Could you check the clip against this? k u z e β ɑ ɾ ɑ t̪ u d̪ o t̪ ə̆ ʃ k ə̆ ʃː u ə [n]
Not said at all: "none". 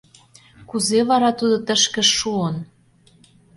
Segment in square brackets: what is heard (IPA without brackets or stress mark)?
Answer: n